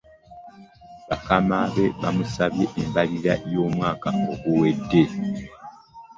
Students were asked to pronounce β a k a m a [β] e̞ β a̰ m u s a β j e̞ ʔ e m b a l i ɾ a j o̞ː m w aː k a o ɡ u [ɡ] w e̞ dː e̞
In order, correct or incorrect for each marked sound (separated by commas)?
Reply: correct, incorrect